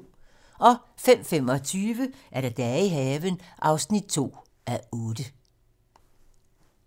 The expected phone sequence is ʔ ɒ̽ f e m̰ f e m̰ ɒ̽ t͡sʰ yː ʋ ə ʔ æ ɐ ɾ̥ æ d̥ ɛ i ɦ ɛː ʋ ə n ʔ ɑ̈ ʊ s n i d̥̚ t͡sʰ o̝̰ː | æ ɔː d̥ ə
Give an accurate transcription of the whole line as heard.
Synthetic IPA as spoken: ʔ ɒ̽ f e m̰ f e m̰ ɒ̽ t͡sʰ yː ʋ ə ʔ æ ɐ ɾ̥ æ d̥ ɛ i ɦ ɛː ʋ ə n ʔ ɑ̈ ʊ s n i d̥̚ t͡sʰ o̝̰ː | æ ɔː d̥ ə